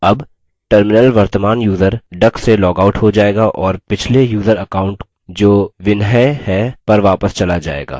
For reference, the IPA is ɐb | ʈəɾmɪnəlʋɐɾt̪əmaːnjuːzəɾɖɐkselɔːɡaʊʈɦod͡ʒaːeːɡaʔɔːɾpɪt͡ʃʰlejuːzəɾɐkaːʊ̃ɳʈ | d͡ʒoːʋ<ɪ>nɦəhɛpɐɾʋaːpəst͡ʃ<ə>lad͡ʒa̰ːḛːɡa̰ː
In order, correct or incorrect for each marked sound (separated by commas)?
correct, incorrect